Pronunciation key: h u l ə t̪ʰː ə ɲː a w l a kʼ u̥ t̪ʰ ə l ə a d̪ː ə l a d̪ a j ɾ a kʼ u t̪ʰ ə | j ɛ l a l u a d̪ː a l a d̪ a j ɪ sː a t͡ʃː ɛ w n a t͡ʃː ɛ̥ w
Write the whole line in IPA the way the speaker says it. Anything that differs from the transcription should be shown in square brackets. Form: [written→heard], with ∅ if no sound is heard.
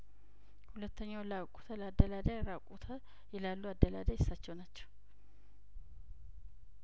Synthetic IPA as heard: h u l ə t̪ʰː ə ɲː a w l a kʼ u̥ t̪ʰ ə l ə a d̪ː ə l a d̪ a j ɾ a kʼ u t̪ʰ ə | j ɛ l a [l→lː] u a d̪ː [a→ə] l a d̪ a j ɪ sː a t͡ʃː ɛ w n a t͡ʃː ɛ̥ w